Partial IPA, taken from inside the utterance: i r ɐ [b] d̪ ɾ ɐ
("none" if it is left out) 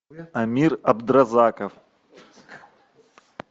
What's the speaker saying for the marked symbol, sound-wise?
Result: b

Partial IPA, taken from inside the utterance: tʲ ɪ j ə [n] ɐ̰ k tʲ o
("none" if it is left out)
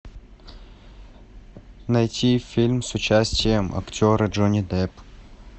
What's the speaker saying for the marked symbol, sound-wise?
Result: m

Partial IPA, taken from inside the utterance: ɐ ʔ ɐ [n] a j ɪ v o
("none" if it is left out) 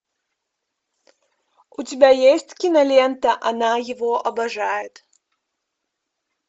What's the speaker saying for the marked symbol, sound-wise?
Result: n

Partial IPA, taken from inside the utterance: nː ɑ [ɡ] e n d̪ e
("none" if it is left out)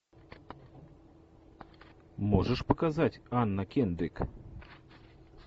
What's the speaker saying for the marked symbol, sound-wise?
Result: k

